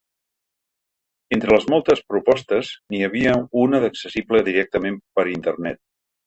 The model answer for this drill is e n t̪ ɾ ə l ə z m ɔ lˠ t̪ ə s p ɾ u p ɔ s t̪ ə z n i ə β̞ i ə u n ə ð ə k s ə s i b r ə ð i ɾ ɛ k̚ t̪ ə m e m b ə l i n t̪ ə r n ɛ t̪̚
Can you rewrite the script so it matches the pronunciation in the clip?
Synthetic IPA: e n t̪ ɾ ə l ə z m ɔ lˠ t̪ ə s p ɾ u p ɔ s t̪ ə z n i ə β̞ i ə u n ə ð ə k s ə s i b l ə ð i ɾ ɛ k̚ t̪ ə m e m p ə ɾ i n t̪ ə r n ɛ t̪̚